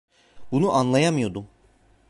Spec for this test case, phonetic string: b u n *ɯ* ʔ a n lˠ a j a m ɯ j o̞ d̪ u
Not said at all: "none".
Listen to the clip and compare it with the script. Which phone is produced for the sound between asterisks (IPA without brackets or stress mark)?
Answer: u